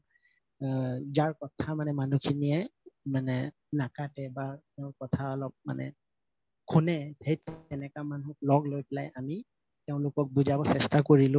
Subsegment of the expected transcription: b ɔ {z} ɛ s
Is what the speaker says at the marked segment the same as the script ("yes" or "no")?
no